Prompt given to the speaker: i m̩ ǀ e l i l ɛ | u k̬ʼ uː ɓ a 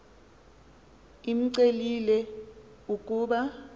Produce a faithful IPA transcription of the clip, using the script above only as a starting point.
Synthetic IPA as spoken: i m̩ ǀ e l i l ɛ | u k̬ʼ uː ɓ a